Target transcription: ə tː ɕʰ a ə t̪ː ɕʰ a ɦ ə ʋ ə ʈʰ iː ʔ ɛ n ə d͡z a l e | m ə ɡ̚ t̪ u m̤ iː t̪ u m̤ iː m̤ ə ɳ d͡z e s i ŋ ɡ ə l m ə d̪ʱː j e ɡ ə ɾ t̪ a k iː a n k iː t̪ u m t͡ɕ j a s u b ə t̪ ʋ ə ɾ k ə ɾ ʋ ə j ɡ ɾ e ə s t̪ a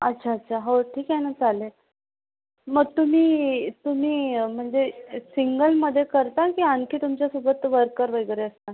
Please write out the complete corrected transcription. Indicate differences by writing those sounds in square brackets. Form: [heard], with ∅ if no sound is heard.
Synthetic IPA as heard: ə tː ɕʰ a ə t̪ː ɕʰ a ɦ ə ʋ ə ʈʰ iː [k] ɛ n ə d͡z a l e | m ə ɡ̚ t̪ u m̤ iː t̪ u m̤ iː m̤ ə ɳ d͡z e s i ŋ ɡ ə l m ə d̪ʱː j e [k] ə ɾ t̪ a k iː a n k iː t̪ u m t͡ɕ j a s u b ə t̪ ʋ ə ɾ k ə ɾ ʋ ə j ɡ ɾ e ə s t̪ a

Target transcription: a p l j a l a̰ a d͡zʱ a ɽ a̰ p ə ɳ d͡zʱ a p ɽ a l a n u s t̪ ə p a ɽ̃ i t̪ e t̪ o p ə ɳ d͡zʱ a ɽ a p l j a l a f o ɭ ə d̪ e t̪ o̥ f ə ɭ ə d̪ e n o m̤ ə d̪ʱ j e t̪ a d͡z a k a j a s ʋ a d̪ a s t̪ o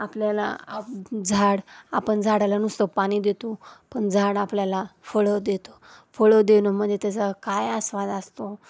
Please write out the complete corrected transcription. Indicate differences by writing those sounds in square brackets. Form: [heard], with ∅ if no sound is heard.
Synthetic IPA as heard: a p l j a l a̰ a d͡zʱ a ɽ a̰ p ə ɳ d͡zʱ a [∅] ɽ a l a n u s t̪ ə p a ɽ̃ i [d̪] e t̪ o p ə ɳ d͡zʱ a ɽ a p l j a l a f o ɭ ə d̪ e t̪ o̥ f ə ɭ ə d̪ e n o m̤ ə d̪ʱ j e t̪ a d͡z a k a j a s ʋ a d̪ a s t̪ o

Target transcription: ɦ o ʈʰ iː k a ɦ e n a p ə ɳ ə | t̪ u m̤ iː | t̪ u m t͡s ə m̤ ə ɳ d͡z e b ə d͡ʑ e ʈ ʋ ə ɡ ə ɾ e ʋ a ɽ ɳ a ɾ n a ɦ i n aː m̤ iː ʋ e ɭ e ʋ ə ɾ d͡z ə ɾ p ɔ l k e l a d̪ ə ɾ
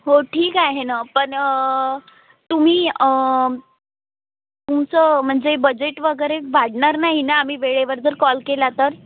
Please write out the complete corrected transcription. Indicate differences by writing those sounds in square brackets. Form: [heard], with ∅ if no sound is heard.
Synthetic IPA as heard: ɦ o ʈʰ iː k a ɦ e n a p ə ɳ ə | t̪ u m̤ iː | t̪ u m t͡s ə m̤ ə ɳ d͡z e b ə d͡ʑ e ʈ ʋ ə ɡ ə ɾ e ʋ a ɽ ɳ a ɾ n a ɦ i n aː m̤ iː ʋ e ɭ e ʋ ə ɾ d͡z ə ɾ [k] ɔ l k e l a [t̪] ə ɾ

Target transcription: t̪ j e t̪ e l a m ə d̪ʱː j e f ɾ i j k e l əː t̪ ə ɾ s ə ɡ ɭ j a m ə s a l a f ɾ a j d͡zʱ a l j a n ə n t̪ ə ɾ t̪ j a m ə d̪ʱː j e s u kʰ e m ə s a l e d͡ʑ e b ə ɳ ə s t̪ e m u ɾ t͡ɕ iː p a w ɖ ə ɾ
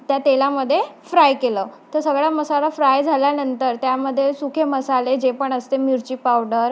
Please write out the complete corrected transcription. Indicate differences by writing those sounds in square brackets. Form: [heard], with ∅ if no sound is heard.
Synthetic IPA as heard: t̪ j [a] t̪ e l a m ə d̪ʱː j e f ɾ [a] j k e l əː t̪ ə ɾ s ə ɡ ɭ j a m ə s a l a f ɾ a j d͡zʱ a l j a n ə n t̪ ə ɾ t̪ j a m ə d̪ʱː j e s u kʰ e m ə s a l e d͡ʑ e [p] ə ɳ ə s t̪ e m u ɾ t͡ɕ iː p a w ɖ ə ɾ

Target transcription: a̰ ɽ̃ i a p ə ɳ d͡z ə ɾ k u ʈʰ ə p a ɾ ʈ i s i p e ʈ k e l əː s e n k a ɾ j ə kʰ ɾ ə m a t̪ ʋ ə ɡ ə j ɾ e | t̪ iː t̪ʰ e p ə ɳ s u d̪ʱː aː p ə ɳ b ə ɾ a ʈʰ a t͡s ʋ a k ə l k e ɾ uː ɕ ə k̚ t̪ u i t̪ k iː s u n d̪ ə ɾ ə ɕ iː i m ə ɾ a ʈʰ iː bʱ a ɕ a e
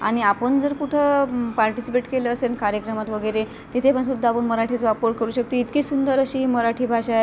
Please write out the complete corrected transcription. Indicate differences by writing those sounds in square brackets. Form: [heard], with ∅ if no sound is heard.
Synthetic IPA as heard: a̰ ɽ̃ i a p ə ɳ d͡z ə ɾ k u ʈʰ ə p a ɾ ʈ i s i p e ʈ k e l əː s e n k a ɾ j ə [k] ɾ ə m a t̪ ʋ ə ɡ ə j ɾ e | t̪ [i] t̪ʰ e p ə ɳ s u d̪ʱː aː p ə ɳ [m] ə ɾ a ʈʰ [i] t͡s ʋ a [p] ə [ɾ] k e ɾ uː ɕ ə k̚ t̪ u i t̪ k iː s u n d̪ ə ɾ ə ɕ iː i m ə ɾ a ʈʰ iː bʱ a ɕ a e

